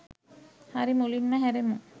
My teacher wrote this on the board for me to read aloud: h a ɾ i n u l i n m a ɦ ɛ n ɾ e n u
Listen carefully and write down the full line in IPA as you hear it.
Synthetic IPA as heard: h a ɾ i m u l i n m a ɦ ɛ ɾ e m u